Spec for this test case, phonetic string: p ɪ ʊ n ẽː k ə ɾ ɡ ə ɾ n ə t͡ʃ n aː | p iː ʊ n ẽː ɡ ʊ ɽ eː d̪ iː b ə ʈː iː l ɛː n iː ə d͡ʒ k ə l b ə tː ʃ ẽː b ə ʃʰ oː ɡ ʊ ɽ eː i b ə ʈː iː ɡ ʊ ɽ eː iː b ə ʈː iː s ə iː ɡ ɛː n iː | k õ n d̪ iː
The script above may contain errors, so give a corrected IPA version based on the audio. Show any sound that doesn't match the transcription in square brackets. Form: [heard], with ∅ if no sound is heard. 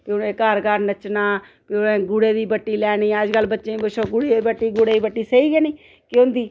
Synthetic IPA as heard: p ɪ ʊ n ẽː k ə ɾ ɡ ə ɾ n ə t͡ʃ n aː | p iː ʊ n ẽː ɡ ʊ ɽ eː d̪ iː b ə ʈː iː l ɛː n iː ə d͡ʒ k ə l b ə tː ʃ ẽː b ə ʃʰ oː ɡ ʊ ɽ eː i b ə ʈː iː ɡ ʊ ɽ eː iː b ə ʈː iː s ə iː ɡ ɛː n iː | k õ n d̪ iː